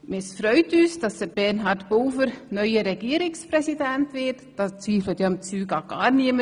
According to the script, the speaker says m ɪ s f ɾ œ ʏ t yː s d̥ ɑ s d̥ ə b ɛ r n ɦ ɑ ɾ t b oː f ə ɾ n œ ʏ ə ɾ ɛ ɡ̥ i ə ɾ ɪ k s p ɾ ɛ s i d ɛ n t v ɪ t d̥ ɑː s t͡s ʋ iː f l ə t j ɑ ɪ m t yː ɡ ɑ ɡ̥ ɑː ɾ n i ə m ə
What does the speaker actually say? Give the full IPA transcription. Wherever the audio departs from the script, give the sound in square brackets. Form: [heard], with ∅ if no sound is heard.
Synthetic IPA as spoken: m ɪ s f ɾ œ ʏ t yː s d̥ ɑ s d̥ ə b ɛ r n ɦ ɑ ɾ t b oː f ə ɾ n œ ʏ ə ɾ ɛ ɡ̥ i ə ɾ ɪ k s p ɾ ɛ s i d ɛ n t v ɪ t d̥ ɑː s t͡s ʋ iː f l ə t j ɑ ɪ m [t͡s] yː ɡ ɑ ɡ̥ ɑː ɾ n i ə m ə